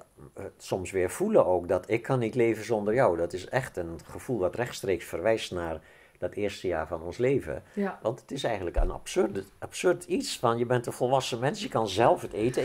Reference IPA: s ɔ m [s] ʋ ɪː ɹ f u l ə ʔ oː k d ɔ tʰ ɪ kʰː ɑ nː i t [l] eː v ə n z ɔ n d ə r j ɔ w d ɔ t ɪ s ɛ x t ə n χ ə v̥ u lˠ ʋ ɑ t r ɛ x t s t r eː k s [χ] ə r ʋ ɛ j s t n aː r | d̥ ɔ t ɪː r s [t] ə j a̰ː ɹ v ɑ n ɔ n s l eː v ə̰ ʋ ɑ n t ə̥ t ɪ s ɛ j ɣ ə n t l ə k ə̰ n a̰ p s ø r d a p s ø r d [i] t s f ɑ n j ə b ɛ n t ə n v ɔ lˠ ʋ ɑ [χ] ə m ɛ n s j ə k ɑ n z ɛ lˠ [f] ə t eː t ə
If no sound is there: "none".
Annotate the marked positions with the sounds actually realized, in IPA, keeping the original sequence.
s, l, f, t, i, s, f

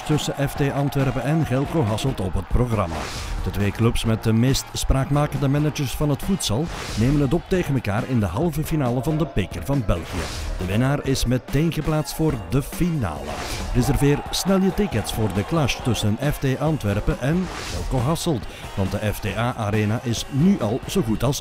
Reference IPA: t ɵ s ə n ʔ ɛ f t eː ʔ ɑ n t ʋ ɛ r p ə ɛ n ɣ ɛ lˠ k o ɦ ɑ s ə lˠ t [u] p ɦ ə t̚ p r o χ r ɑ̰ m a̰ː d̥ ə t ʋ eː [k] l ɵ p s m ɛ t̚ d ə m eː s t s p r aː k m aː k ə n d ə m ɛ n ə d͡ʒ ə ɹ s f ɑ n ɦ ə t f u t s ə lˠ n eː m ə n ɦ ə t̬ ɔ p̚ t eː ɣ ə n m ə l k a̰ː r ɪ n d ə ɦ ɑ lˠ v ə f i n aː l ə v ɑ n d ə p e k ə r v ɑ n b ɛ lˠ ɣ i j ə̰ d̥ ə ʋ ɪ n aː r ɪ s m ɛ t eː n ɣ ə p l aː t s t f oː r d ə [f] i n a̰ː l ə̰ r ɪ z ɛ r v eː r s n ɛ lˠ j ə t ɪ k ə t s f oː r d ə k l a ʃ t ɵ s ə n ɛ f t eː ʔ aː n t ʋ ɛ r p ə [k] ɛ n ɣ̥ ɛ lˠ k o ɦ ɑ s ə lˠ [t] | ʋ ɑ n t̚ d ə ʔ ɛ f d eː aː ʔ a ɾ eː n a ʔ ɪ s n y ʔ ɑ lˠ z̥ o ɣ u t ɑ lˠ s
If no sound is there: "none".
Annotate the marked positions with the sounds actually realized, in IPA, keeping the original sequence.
ɔ, k, f, ʔ, t

